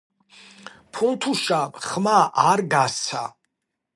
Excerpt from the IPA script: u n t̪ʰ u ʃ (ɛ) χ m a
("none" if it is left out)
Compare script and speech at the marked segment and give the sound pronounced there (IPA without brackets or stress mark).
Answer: a